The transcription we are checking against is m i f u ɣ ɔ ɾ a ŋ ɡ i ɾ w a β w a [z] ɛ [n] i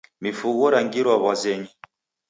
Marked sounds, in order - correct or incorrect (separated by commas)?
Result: correct, incorrect